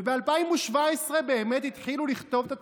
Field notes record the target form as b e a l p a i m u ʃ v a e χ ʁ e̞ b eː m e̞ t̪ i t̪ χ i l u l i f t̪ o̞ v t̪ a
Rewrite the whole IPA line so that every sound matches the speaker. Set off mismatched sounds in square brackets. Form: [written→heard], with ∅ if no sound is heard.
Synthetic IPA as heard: b e a l p a i m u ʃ v a e [χ→s] ʁ e̞ b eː m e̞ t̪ i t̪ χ i l u l i [f→χ] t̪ o̞ v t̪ a